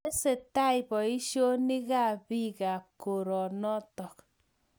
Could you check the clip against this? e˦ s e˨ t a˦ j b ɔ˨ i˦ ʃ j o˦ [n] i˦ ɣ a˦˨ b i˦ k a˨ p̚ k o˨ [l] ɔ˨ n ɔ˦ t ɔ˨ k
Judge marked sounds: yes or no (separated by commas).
yes, no